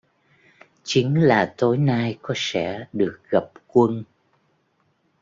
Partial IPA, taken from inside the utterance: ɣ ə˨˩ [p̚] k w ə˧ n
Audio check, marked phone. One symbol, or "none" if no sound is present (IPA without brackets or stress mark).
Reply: p̚